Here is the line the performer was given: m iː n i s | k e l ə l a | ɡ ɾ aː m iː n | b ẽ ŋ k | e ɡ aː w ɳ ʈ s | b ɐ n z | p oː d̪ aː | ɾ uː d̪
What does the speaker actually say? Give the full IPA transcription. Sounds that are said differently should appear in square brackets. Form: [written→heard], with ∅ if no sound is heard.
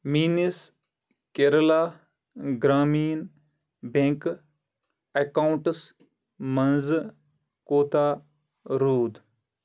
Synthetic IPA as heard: m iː n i s | k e [l→ɾ] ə l a | ɡ ɾ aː m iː n | b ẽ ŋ k | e [ɡ→k] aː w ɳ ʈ s | [b→m] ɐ n z | [p→k] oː [d̪→t̪] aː | ɾ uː d̪